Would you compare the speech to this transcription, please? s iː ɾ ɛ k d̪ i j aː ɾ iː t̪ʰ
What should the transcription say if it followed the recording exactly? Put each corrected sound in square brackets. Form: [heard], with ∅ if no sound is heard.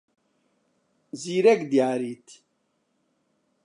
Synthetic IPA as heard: [z] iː ɾ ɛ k d̪ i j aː ɾ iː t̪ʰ